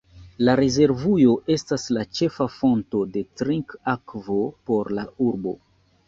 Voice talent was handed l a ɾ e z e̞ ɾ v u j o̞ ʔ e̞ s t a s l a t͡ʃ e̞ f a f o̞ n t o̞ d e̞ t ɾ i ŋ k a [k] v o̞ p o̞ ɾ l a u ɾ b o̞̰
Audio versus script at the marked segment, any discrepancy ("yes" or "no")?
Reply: no